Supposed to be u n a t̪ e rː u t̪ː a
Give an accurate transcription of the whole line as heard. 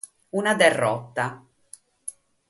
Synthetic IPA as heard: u n a d̪ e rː ɔ t̪ː a